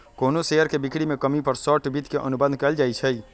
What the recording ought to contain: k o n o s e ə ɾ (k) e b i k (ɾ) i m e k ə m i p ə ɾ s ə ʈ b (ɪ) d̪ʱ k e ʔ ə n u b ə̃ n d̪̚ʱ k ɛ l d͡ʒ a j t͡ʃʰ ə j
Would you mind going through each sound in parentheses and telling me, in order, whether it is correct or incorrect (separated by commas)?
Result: correct, incorrect, incorrect